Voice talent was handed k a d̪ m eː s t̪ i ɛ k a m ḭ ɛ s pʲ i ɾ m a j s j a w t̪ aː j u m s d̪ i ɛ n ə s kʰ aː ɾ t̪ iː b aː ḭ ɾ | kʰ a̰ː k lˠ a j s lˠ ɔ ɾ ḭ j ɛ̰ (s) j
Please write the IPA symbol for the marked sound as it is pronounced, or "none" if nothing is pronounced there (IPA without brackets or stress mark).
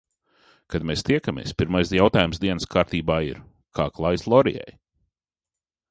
none